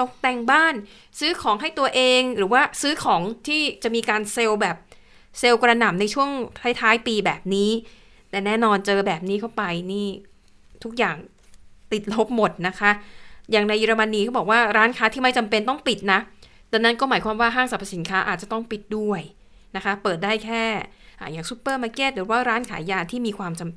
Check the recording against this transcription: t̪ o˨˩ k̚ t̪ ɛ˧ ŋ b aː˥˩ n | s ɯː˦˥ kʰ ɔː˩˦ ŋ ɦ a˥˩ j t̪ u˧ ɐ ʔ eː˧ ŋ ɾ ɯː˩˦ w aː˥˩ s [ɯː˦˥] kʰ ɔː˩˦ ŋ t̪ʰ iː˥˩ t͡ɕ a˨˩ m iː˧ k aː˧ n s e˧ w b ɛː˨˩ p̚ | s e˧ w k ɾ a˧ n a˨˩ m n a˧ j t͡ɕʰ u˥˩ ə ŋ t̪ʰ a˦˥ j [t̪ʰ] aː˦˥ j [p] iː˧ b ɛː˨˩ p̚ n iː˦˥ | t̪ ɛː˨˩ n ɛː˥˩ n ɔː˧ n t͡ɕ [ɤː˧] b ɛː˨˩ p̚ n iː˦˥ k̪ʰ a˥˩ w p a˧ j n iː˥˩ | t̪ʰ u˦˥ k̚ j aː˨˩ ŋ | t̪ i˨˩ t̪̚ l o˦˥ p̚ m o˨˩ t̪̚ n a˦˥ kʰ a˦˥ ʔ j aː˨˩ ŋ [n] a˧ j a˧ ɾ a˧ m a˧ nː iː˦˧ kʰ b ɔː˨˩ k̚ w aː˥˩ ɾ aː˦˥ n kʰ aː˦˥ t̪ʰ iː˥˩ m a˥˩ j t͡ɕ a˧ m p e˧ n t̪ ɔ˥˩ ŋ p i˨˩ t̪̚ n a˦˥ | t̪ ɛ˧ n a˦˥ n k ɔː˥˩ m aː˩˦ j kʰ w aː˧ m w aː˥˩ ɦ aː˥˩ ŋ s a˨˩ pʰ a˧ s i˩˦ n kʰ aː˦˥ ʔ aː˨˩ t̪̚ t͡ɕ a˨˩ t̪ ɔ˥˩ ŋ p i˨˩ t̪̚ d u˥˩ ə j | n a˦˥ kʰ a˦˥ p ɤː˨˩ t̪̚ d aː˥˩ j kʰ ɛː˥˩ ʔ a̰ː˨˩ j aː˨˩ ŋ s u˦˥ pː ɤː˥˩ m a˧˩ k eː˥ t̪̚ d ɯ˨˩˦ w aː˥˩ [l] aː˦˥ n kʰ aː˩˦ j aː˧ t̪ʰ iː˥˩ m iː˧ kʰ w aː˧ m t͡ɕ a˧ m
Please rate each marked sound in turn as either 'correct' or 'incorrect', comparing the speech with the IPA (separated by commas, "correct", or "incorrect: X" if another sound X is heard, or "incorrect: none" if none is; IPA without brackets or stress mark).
correct, correct, correct, correct, correct, incorrect: ɾ